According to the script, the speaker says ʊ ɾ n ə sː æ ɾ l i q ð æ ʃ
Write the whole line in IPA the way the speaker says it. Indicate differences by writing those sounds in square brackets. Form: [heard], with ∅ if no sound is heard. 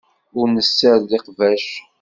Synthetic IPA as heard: ʊ ɾ n ə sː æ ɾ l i q [v] æ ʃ